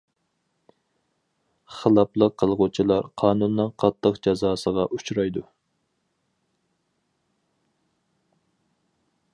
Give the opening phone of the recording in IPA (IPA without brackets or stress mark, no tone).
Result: χ